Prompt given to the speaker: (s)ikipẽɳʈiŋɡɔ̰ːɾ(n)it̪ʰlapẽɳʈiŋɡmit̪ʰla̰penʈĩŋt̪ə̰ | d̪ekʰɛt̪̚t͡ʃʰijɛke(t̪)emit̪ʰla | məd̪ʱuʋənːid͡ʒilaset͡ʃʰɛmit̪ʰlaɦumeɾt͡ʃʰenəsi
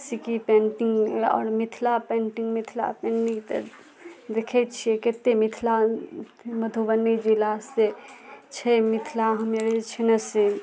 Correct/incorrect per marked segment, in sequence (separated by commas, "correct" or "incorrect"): correct, incorrect, correct